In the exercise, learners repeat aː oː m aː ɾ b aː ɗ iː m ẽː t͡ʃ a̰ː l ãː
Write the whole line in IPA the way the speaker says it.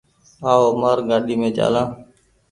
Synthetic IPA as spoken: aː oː m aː ɾ ɡ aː ɗ iː m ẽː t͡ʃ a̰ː l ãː